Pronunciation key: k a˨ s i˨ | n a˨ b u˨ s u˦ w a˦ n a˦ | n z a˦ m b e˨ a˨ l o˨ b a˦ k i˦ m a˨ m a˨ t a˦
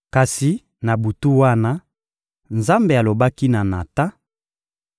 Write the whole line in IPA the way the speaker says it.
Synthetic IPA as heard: k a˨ s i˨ | n a˨ b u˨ t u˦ w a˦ n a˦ | n z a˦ m b e˨ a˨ l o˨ b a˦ k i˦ n a˨ n a˨ t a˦

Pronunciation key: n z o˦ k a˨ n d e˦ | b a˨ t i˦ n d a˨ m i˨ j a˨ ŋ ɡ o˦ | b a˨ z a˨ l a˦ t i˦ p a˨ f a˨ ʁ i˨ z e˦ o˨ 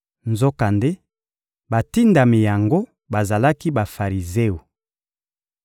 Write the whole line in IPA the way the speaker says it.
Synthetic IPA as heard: n z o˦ k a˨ n d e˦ | b a˨ t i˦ n d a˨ m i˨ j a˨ ŋ ɡ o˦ | b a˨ z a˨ l a˦ k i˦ b a˨ f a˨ ʁ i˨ z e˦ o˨

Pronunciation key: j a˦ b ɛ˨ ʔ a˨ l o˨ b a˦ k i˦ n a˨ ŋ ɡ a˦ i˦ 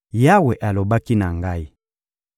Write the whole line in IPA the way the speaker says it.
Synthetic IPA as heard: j a˦ w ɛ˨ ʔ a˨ l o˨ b a˦ k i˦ n a˨ ŋ ɡ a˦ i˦

